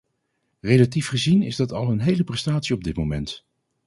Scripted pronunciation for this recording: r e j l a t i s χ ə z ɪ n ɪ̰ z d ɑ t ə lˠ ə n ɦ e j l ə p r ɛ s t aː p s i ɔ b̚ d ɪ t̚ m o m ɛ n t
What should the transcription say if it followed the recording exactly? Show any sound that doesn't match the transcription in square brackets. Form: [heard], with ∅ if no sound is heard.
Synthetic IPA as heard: r e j l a t i [f] χ ə z [i] n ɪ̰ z d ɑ t [ɑ] lˠ ə n ɦ e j l ə p r ɛ s t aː [t] s i ɔ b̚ d ɪ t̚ m o m ɛ n t